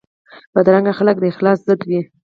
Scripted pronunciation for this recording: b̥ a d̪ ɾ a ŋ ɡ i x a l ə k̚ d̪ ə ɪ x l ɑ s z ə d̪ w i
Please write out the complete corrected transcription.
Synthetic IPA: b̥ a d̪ ɾ a ŋ ɡ a x a l ə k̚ d̪ ə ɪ x l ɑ s z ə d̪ w i